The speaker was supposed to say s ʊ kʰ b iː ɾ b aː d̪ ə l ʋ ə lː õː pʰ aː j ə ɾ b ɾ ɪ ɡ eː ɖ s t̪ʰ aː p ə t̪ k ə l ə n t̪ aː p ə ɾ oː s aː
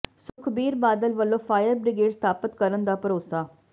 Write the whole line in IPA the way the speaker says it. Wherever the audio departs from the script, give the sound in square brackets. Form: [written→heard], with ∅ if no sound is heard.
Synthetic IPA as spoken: s ʊ kʰ b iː ɾ b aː d̪ ə l ʋ ə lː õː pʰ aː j ə ɾ b ɾ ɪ ɡ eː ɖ s t̪ʰ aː p ə t̪ k ə [l→ɾ] ə n [t̪→d̪] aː p ə ɾ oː s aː